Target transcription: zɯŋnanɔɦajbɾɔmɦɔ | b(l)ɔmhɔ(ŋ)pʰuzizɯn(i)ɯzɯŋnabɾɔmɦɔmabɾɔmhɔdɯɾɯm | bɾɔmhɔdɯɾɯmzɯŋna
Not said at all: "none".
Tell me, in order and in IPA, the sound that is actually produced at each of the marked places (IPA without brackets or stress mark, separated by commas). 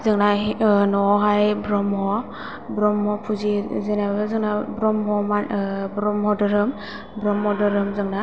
ɾ, none, a